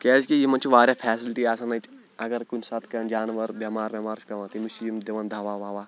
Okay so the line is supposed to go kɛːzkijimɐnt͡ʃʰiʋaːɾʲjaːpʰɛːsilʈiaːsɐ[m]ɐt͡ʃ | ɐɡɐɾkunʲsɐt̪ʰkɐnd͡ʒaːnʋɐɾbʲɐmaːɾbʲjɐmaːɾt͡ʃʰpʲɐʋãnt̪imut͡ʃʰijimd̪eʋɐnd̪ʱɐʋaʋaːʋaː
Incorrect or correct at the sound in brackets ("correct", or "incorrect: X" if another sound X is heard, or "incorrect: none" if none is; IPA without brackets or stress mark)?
incorrect: n